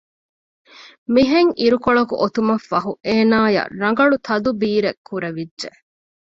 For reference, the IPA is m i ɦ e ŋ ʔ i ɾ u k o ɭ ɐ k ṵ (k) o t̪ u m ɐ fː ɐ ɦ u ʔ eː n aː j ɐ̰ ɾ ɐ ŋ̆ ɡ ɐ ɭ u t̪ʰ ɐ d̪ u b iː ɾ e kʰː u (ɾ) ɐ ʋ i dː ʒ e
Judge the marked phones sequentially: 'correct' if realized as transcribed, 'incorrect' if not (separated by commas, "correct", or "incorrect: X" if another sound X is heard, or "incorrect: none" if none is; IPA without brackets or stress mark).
incorrect: ʔ, correct